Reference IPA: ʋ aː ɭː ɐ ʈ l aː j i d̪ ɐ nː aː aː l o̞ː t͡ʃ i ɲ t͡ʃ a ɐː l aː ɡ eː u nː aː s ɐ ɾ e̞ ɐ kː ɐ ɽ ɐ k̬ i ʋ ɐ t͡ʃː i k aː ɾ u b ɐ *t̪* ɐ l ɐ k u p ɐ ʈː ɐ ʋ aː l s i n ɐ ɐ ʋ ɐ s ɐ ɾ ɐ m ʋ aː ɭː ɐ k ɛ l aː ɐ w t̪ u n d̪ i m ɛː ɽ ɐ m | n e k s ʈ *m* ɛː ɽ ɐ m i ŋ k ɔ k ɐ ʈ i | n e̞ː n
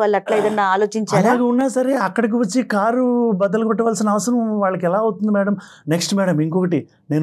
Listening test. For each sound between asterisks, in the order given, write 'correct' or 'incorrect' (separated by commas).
incorrect, correct